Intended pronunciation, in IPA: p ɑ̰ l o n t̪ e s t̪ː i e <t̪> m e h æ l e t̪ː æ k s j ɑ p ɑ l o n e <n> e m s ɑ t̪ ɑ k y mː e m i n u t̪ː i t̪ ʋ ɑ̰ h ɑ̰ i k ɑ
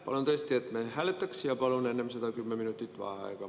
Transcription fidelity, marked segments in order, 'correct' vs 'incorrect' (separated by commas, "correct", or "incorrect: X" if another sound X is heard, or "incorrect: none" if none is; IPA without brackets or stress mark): correct, incorrect: nː